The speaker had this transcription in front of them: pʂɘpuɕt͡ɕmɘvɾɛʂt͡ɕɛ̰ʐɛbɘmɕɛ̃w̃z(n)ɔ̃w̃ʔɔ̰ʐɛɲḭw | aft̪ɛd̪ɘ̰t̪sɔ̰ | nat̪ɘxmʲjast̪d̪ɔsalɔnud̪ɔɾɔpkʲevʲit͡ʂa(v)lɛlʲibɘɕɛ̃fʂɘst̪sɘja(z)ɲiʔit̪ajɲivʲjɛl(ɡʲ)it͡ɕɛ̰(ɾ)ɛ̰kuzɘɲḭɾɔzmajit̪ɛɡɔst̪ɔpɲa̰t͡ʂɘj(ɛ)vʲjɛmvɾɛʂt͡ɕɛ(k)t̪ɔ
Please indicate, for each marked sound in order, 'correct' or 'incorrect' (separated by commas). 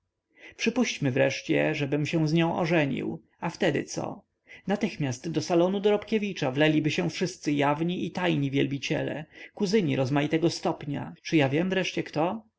incorrect, correct, incorrect, incorrect, incorrect, incorrect, correct